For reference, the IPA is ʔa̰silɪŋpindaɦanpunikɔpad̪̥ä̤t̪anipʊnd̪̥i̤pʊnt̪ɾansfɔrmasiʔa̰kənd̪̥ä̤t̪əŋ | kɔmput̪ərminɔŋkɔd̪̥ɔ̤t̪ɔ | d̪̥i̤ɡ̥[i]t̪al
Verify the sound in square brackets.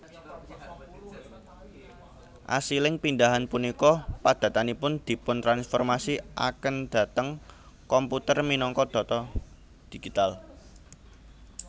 correct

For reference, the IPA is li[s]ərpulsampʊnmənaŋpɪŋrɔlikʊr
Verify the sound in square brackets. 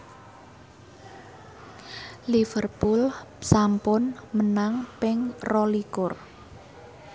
incorrect: f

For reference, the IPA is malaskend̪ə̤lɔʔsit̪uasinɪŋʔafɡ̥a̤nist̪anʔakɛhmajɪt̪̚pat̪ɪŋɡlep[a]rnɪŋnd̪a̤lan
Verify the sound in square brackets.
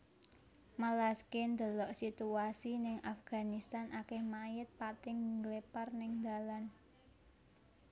correct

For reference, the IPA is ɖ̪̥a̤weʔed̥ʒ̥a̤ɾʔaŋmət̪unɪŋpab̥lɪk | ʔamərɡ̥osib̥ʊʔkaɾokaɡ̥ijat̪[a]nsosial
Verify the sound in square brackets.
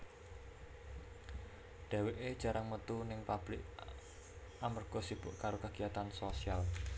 correct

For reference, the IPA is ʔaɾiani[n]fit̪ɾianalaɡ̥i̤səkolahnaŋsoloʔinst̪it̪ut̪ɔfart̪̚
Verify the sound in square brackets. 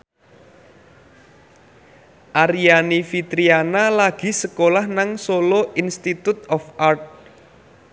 incorrect: none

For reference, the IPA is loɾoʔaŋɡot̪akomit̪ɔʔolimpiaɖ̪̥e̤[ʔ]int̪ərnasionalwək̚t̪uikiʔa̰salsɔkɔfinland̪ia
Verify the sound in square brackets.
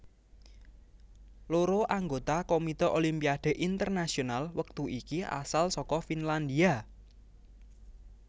correct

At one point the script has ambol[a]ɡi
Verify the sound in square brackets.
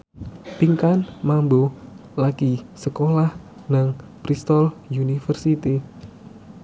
correct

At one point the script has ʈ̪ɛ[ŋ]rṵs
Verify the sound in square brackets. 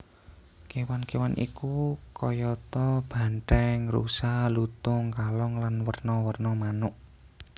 correct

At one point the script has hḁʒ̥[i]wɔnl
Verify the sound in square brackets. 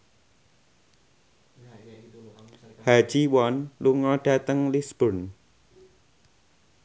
correct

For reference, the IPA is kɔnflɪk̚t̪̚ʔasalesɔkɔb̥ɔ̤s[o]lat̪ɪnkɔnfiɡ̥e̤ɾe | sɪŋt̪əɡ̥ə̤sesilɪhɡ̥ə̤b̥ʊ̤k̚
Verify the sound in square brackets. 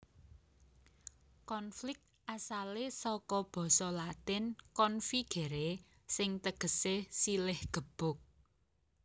incorrect: ɔ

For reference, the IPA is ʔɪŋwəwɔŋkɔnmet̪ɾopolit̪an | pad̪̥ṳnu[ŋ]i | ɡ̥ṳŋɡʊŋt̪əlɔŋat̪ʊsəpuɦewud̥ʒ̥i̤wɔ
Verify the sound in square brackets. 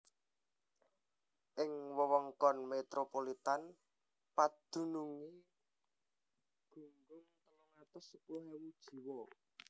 correct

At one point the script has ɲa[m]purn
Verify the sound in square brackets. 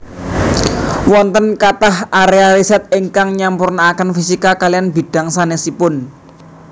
correct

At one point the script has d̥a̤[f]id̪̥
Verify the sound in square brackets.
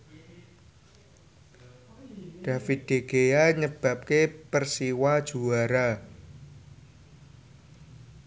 correct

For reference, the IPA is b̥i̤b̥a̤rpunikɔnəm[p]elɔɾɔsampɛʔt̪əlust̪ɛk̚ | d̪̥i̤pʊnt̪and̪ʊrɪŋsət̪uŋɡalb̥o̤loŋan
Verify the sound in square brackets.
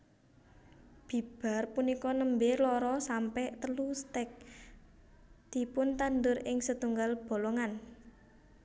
incorrect: b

